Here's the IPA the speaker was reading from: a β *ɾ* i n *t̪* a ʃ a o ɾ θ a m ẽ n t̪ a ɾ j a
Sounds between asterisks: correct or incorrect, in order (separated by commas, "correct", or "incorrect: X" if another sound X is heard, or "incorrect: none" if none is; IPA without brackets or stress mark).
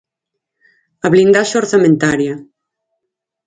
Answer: incorrect: l, incorrect: d̪